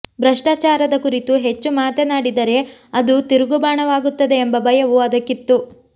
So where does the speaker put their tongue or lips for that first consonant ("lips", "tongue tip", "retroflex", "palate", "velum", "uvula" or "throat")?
lips